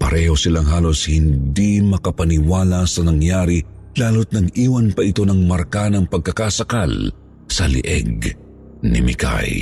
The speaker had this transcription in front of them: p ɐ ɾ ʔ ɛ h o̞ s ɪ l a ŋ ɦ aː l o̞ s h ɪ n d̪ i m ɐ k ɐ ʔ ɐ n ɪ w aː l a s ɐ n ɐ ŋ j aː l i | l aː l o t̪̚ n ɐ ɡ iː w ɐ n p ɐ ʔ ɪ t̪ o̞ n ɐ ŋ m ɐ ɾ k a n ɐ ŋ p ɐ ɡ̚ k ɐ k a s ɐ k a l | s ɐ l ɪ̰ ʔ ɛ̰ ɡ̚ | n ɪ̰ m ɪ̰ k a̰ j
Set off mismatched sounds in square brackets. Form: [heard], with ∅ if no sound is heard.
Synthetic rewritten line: p ɐ ɾ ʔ ɛ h o̞ s ɪ l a ŋ ɦ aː l o̞ s h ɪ n d̪ i m ɐ k ɐ [p] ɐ n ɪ w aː l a s ɐ n ɐ ŋ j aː [ɾ] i | l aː l o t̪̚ n ɐ ɡ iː w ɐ n p ɐ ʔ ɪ t̪ o̞ n ɐ ŋ m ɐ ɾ k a n ɐ ŋ p ɐ ɡ̚ k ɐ k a s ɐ k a l | s ɐ l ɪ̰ ʔ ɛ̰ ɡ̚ | n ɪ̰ m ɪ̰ k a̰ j